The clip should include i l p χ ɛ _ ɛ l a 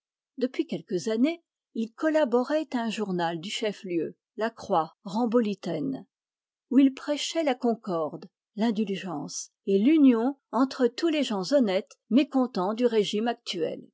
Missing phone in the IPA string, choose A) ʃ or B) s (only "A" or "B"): A